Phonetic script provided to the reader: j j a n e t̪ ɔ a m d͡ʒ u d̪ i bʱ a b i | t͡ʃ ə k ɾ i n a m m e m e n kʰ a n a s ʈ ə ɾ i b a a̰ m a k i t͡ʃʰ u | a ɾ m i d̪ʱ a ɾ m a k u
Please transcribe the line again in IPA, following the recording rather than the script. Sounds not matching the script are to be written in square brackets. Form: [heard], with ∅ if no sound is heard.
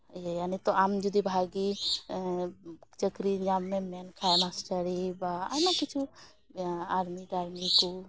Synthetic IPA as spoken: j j a n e t̪ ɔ a m d͡ʒ u d̪ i bʱ a [ɡ] i | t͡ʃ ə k ɾ i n a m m e m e n kʰ a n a s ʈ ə ɾ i b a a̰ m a k i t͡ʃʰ u | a ɾ m i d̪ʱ a ɾ m [i] k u